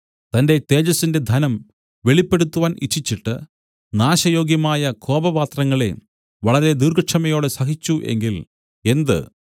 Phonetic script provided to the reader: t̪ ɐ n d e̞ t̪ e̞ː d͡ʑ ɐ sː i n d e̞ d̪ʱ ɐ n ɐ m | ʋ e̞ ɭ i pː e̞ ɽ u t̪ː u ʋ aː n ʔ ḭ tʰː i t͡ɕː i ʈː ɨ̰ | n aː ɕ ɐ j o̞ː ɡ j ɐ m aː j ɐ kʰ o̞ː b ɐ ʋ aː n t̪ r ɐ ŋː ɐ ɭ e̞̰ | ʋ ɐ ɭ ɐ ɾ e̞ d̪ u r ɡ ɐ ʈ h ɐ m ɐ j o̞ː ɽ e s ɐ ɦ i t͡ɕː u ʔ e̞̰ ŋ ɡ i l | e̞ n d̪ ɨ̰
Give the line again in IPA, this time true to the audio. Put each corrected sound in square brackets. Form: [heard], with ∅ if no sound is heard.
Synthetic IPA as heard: t̪ ɐ n d e̞ t̪ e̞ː d͡ʑ ɐ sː i n d e̞ d̪ʱ ɐ n ɐ m | ʋ e̞ ɭ i pː e̞ ɽ u t̪ː u ʋ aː n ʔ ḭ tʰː i t͡ɕː i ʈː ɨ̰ | n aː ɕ ɐ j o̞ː ɡ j ɐ m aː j ɐ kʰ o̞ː b ɐ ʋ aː [∅] t̪ r ɐ ŋː ɐ ɭ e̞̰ | ʋ ɐ ɭ ɐ ɾ e̞ d̪ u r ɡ ɐ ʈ [ʂ] ɐ m ɐ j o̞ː ɽ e s ɐ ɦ i t͡ɕː u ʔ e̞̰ ŋ ɡ i l | e̞ n d̪ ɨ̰

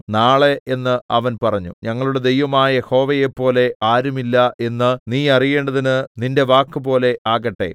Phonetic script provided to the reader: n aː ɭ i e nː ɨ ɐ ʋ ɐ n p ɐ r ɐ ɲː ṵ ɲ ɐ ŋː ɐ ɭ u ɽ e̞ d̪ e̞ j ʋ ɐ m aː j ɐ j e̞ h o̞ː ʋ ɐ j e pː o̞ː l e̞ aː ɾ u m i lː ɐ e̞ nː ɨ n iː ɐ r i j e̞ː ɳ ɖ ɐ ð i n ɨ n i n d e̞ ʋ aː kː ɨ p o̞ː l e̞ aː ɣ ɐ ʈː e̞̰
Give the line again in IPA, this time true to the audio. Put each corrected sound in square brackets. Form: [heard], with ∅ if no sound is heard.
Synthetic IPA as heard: n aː ɭ [e] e nː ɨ ɐ ʋ ɐ n p ɐ r ɐ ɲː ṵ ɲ ɐ ŋː ɐ ɭ u ɽ e̞ d̪ e̞ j ʋ ɐ m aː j ɐ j e̞ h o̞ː ʋ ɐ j e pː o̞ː l e̞ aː ɾ u m i lː ɐ e̞ nː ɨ n iː ɐ r i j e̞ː ɳ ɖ ɐ ð i n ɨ n i n d e̞ ʋ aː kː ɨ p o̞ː l e̞ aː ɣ ɐ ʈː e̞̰

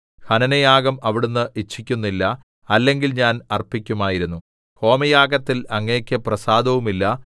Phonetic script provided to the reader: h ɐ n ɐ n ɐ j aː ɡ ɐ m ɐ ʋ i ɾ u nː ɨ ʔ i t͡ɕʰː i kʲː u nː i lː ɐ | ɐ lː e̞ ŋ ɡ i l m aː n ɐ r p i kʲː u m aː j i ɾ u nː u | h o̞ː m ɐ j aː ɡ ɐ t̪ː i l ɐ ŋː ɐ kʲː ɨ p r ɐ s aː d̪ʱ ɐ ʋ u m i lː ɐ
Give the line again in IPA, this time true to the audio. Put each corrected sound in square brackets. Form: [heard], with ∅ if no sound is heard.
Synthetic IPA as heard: h ɐ n ɐ n ɐ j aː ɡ ɐ m ɐ ʋ i [ɽ] u nː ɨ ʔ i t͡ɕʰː i kʲː u nː i lː ɐ | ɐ lː e̞ ŋ ɡ i l [ɲ] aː n ɐ r p i kʲː u m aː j i ɾ u nː u | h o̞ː m ɐ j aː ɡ ɐ t̪ː i l ɐ ŋː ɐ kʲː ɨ p r ɐ s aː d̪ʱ ɐ ʋ u m i lː ɐ

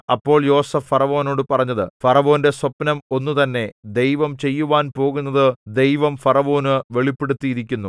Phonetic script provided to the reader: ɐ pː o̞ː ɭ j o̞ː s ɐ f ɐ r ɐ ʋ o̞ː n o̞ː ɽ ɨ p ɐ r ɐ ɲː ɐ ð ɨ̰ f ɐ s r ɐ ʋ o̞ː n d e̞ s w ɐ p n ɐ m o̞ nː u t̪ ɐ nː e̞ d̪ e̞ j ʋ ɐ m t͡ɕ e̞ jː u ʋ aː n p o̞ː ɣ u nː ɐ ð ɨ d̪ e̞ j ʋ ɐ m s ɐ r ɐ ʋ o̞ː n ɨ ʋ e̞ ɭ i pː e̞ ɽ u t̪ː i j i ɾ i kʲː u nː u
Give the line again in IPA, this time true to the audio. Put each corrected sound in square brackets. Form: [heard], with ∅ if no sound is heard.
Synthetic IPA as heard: ɐ pː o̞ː ɭ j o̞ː s ɐ f ɐ r ɐ ʋ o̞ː n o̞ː ɽ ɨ p ɐ r ɐ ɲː ɐ ð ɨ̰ f ɐ [∅] r ɐ ʋ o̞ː n d e̞ s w ɐ p n ɐ m o̞ nː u t̪ ɐ nː e̞ d̪ e̞ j ʋ ɐ m t͡ɕ e̞ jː u ʋ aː n p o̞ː ɣ u nː ɐ ð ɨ d̪ e̞ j ʋ ɐ m [f] ɐ r ɐ ʋ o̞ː n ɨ ʋ e̞ ɭ i pː e̞ ɽ u t̪ː i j i ɾ i kʲː u nː u

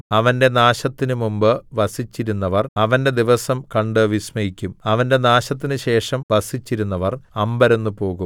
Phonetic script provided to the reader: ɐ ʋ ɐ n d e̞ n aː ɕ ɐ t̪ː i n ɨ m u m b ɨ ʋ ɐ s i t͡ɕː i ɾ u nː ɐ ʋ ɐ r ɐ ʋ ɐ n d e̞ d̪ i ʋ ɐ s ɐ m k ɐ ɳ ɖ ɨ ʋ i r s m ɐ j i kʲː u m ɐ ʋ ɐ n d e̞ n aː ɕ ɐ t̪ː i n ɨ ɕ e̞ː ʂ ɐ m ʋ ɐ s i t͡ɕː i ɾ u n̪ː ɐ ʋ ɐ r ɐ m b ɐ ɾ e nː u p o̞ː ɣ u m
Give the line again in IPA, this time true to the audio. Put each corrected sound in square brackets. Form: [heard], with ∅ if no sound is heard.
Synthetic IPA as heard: ɐ ʋ ɐ n d e̞ n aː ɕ ɐ t̪ː i n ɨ m u m b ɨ ʋ ɐ s i t͡ɕː i ɾ u nː ɐ ʋ ɐ r ɐ ʋ ɐ n d e̞ d̪ i ʋ ɐ s ɐ m k ɐ ɳ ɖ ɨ ʋ i [∅] s m ɐ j i kʲː u m ɐ ʋ ɐ n d e̞ n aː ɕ ɐ t̪ː i n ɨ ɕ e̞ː ʂ ɐ m ʋ ɐ s i t͡ɕː i ɾ u n̪ː ɐ ʋ ɐ r ɐ m b ɐ ɾ e nː u p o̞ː ɣ u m

